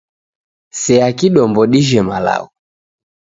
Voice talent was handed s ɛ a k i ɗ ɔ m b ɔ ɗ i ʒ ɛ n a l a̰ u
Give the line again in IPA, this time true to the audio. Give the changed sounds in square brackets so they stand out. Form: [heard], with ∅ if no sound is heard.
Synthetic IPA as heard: s ɛ a k i ɗ ɔ m b ɔ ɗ i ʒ ɛ [m] a l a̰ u